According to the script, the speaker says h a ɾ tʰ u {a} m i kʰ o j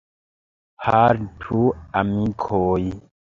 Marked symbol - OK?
yes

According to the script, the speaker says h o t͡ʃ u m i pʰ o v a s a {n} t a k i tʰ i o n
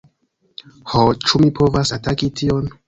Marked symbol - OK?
no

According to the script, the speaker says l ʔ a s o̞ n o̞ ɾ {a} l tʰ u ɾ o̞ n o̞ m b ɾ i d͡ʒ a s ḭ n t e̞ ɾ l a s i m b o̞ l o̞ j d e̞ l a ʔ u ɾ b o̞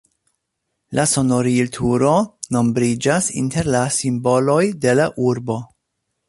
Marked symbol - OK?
no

